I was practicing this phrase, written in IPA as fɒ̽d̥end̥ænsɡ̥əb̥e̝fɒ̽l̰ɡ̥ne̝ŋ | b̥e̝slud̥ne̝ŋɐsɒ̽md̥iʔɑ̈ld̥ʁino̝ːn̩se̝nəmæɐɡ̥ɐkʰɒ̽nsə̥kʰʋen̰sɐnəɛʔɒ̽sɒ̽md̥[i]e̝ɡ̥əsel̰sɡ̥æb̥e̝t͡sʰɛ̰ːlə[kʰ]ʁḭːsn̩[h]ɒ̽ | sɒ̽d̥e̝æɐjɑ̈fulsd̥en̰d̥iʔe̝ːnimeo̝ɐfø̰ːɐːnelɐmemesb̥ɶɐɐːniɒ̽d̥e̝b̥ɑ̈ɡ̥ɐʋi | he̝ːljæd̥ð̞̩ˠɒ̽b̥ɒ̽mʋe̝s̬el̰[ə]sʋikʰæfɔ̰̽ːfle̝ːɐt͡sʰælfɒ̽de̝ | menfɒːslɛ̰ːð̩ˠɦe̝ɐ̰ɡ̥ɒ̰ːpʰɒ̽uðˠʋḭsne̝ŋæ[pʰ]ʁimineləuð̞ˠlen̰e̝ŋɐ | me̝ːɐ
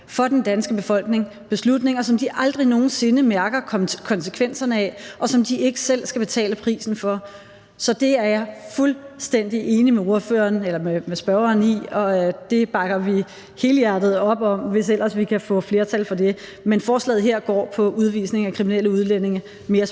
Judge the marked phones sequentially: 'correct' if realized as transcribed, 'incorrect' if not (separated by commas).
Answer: correct, incorrect, incorrect, incorrect, incorrect